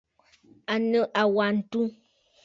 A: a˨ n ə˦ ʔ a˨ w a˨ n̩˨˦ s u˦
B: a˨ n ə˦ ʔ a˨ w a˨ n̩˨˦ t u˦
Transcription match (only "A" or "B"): B